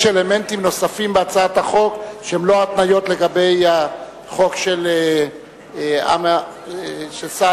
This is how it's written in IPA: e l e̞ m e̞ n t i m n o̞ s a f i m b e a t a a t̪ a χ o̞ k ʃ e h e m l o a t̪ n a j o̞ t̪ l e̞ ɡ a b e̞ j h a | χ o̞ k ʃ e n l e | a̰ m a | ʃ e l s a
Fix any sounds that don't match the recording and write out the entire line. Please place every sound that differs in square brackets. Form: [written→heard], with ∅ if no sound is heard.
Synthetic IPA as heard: e l e̞ m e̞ n t i m n o̞ s a f i m b e a [t→t͡s] a a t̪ a χ o̞ k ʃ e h e m l o a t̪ n a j o̞ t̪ l e̞ ɡ a b e̞ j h a | χ o̞ k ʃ e [n→∅] l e | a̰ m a | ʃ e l s a